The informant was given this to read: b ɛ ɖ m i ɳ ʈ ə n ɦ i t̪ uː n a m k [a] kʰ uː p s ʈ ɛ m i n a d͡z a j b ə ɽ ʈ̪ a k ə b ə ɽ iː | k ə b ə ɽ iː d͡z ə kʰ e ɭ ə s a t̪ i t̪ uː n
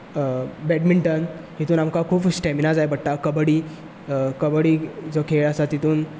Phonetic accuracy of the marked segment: correct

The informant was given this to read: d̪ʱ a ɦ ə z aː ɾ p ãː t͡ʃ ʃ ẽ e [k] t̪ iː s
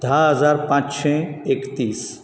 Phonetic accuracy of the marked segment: correct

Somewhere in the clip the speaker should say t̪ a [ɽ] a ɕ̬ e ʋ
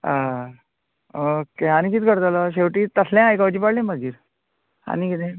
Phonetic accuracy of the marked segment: incorrect: l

